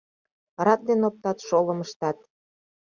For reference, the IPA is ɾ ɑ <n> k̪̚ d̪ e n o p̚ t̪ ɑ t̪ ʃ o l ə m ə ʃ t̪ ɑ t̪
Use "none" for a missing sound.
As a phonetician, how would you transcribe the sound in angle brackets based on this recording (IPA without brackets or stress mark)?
none